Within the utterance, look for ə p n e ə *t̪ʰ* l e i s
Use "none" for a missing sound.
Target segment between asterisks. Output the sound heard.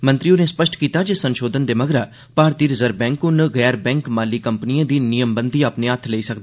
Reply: t̪ʰ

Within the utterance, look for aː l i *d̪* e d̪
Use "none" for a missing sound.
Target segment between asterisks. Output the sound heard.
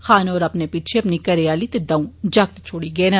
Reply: t̪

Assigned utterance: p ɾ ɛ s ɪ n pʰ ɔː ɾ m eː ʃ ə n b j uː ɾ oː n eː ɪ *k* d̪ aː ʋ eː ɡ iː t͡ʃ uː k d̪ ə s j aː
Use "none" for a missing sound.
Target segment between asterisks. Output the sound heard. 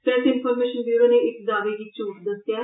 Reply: k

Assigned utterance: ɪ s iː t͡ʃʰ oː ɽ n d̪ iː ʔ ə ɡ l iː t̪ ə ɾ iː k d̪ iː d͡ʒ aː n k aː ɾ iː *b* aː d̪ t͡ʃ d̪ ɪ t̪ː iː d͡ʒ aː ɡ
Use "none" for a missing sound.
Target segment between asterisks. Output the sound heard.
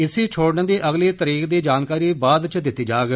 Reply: b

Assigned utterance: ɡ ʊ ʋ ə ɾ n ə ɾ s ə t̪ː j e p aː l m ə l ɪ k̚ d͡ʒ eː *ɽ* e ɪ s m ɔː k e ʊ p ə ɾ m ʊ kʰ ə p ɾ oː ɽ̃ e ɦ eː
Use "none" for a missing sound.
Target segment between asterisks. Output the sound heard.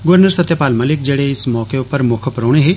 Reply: ɽ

